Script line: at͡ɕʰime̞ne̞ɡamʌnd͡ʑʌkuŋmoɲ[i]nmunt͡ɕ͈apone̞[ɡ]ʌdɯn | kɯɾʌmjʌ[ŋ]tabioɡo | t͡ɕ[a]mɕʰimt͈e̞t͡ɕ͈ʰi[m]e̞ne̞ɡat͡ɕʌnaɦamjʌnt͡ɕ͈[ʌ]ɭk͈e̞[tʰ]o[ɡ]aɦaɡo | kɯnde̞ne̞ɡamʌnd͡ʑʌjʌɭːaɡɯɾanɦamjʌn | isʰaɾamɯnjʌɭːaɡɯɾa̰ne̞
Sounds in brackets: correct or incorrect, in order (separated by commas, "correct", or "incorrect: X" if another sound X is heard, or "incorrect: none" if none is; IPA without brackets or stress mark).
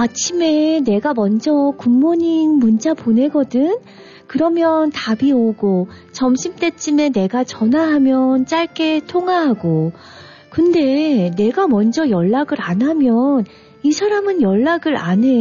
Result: correct, correct, incorrect: n, incorrect: ʌ, correct, incorrect: a, correct, incorrect: ŋ